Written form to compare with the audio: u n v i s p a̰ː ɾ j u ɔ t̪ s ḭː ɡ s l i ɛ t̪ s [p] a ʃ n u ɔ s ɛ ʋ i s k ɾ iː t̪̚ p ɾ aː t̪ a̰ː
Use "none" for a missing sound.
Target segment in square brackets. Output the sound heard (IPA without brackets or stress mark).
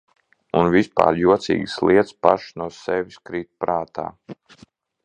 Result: p